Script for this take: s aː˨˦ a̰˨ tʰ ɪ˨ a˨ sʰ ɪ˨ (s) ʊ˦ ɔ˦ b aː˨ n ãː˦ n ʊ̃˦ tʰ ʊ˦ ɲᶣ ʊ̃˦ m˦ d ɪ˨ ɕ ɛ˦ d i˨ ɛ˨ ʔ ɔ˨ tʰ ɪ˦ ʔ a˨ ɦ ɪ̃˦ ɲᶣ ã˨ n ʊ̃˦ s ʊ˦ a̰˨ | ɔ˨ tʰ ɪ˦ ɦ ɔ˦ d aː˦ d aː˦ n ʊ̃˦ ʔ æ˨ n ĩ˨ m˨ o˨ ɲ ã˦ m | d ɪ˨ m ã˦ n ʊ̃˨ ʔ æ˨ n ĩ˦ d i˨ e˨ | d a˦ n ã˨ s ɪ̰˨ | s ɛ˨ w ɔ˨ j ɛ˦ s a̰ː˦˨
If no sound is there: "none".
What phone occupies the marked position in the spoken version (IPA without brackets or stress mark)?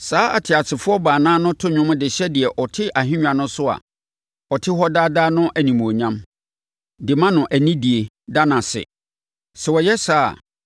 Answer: f